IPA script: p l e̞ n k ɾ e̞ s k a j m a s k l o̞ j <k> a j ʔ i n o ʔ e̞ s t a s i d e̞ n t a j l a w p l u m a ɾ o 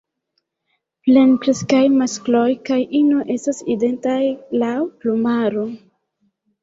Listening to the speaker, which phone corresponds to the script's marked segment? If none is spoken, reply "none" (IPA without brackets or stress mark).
k